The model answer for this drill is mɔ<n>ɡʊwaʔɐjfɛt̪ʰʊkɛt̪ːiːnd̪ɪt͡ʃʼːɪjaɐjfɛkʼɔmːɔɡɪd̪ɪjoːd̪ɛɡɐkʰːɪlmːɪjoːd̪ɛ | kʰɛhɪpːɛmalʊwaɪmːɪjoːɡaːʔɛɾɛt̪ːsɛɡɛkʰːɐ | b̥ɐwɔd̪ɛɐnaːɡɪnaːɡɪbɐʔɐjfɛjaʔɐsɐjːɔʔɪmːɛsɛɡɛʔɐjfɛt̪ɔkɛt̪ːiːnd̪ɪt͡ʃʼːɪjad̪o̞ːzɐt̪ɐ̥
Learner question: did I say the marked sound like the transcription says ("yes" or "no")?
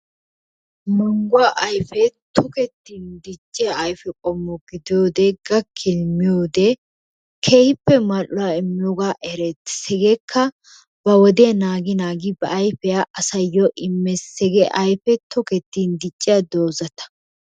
no